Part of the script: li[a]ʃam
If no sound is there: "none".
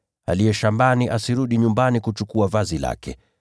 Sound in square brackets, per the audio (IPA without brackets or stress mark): ɛ